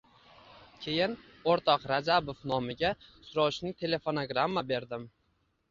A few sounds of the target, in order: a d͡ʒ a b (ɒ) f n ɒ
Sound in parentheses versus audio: incorrect: o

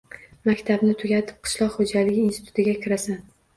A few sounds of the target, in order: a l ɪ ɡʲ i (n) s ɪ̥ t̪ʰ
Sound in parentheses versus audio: correct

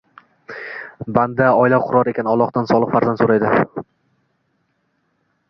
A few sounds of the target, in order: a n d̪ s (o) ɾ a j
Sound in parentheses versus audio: correct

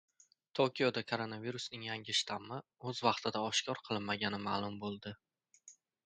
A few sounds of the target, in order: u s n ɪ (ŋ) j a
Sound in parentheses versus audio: correct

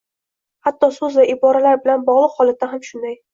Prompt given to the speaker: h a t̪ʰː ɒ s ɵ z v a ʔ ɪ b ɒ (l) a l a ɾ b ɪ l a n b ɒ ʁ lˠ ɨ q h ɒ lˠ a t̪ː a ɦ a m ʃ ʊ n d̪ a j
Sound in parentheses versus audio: incorrect: ɾ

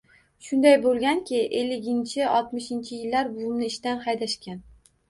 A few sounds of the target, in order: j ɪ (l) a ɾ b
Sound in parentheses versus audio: incorrect: lː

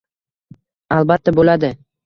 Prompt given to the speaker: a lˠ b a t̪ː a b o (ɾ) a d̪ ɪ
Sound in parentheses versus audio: incorrect: l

